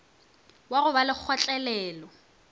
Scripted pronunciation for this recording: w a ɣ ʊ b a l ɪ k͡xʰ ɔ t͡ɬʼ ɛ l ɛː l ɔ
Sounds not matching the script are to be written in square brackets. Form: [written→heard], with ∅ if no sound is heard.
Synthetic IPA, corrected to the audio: w a ɣ ʊ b a l ɪ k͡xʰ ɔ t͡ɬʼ ɛ l ɛː l ɔ